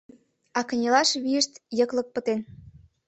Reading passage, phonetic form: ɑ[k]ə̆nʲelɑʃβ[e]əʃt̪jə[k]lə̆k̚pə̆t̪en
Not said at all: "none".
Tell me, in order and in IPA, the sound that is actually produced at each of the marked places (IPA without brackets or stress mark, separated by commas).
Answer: k, i, k